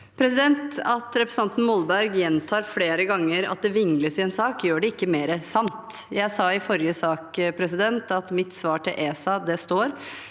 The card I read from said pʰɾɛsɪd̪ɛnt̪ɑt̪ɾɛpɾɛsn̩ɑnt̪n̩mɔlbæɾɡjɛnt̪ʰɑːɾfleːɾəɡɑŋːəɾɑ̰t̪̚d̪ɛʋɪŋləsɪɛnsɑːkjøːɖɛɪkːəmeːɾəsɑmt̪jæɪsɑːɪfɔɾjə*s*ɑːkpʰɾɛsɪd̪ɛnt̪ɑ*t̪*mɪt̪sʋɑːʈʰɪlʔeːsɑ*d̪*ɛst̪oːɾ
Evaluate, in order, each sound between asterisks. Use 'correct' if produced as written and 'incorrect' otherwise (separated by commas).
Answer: correct, correct, correct